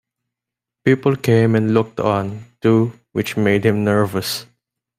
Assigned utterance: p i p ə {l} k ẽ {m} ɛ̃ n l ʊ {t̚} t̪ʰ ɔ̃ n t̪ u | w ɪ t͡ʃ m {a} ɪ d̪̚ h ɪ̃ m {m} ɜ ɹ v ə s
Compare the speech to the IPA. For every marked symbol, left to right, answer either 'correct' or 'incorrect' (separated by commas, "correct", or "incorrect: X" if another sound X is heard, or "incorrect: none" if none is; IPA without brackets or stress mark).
correct, correct, incorrect: k̚, incorrect: e, incorrect: n